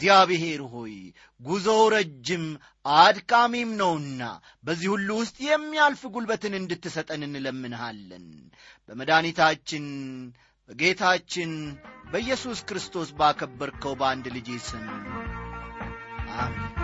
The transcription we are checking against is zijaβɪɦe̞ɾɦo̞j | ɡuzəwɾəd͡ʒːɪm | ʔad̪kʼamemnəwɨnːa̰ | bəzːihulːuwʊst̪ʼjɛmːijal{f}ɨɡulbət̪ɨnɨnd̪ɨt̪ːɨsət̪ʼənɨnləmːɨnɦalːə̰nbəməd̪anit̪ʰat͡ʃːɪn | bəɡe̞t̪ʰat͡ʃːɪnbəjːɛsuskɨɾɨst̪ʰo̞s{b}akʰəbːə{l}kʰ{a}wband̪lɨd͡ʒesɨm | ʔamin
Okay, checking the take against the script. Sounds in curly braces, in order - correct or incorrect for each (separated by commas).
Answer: correct, correct, incorrect, incorrect